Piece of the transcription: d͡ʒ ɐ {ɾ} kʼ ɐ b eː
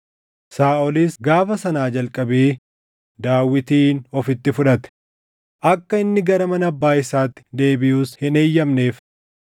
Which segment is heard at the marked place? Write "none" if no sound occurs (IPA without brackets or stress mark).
l